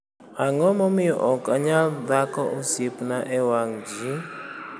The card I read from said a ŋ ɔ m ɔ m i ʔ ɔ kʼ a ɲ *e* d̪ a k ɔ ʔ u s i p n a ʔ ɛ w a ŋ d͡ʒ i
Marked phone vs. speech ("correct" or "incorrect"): incorrect